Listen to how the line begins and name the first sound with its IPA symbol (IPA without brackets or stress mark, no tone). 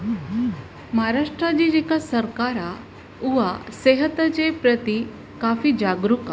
m